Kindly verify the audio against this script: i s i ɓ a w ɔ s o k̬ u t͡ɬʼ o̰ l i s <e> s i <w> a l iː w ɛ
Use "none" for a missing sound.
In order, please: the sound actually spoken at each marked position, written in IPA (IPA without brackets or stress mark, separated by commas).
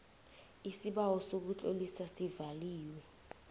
a, v